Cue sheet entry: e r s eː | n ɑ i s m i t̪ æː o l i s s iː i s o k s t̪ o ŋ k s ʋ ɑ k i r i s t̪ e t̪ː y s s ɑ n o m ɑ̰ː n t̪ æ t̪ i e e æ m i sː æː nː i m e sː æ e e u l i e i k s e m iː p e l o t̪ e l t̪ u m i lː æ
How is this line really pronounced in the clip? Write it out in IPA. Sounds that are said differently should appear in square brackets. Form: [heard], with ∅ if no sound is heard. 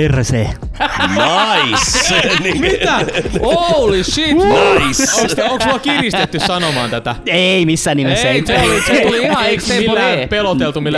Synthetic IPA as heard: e r s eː | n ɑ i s m i t̪ [æ] o l i s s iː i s o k s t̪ o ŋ k s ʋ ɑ k i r i s t̪ e t̪ː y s s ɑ n o m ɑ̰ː n t̪ æ t̪ [æ] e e [i] m i sː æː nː i m e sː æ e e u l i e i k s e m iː p e l o t̪ e l t̪ u m i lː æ